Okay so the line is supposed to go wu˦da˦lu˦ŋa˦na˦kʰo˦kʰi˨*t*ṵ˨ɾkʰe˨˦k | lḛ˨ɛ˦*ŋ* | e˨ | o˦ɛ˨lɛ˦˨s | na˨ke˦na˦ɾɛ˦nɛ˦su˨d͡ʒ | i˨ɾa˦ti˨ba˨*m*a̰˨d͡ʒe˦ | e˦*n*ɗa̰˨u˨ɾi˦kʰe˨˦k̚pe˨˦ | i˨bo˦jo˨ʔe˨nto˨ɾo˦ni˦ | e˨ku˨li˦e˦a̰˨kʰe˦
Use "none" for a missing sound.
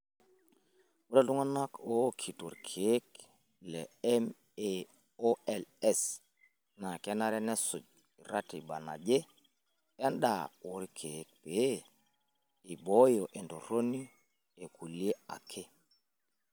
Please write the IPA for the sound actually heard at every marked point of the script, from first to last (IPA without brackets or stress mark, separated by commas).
t, m, n, n